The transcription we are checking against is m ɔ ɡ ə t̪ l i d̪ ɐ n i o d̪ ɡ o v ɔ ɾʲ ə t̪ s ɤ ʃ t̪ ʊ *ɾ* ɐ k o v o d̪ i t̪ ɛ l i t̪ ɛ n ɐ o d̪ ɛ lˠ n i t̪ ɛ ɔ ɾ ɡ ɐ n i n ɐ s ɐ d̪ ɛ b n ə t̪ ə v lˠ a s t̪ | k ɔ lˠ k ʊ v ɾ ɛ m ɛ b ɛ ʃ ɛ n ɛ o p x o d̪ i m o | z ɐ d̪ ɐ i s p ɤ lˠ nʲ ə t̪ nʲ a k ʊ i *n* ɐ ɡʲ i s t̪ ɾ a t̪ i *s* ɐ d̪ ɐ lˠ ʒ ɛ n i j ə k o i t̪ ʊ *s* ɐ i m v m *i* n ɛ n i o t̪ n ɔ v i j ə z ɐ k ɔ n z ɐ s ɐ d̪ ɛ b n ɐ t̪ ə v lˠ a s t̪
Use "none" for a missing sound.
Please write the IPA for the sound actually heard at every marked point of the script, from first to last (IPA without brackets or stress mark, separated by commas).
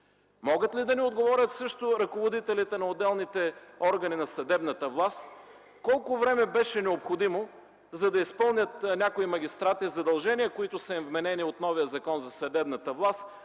ɾ, m, z, s, ɛ